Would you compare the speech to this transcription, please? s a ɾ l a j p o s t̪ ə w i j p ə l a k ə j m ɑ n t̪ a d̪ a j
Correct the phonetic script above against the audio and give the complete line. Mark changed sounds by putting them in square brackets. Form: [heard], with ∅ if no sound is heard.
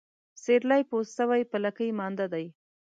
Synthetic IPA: s [e] ɾ l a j p o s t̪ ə w [a] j p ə l a k ə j m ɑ n [d̪] a d̪ a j